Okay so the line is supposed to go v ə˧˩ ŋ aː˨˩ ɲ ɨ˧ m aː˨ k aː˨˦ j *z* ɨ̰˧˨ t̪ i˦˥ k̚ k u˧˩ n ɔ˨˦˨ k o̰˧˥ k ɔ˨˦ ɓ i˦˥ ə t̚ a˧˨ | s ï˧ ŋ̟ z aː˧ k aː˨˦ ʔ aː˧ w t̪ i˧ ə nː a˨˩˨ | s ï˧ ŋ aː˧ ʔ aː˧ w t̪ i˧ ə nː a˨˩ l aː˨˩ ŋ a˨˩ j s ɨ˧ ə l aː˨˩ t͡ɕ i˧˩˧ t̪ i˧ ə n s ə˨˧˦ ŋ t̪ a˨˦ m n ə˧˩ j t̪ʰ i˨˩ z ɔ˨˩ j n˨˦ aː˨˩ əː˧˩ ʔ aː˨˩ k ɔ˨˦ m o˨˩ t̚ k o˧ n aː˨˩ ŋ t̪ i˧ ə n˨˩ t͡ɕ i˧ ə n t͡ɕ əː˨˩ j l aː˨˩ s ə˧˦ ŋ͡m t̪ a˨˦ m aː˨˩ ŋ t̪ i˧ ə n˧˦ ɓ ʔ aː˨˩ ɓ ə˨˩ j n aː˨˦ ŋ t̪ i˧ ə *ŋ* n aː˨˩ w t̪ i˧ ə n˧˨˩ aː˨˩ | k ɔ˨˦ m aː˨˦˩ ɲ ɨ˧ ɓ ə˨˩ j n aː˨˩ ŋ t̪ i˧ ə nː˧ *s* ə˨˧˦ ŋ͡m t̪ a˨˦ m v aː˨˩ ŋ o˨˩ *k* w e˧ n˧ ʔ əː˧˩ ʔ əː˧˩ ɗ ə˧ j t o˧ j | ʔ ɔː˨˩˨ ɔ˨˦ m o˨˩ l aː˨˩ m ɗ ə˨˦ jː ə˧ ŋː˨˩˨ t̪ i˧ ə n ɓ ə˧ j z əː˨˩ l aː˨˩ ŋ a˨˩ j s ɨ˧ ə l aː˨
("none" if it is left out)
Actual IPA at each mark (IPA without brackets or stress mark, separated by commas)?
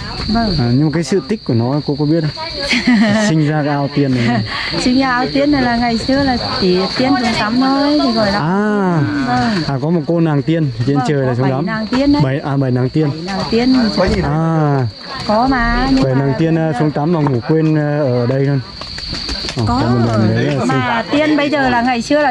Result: s, n, s, k